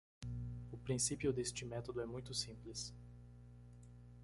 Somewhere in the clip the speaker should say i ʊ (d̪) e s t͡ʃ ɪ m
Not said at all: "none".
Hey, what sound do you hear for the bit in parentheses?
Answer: d̪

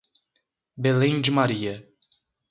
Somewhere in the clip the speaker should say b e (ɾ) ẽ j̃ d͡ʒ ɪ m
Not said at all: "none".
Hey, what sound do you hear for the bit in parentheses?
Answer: l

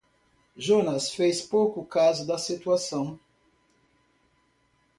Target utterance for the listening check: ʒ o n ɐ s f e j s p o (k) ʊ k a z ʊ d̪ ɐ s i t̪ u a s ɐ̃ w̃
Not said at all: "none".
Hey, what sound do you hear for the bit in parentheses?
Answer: k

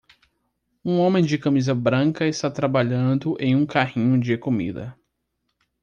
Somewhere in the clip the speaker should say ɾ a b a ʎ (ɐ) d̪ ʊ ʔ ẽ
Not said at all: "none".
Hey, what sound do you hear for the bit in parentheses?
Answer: ɐ̃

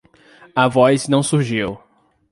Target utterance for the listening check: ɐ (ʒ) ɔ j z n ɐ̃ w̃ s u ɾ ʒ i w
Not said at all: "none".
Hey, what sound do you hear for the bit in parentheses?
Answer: v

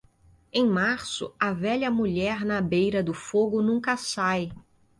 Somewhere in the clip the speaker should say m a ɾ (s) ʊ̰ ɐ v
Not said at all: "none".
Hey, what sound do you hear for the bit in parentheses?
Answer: s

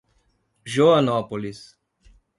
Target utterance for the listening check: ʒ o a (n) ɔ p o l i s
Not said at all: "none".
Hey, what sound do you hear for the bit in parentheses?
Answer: n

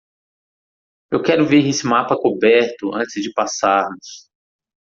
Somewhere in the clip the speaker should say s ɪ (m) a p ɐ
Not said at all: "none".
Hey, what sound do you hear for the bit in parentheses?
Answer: m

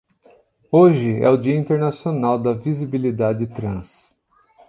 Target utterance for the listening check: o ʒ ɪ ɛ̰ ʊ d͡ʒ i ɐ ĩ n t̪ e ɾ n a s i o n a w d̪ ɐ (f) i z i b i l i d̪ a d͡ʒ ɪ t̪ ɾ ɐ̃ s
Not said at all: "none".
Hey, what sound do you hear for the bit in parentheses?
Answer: v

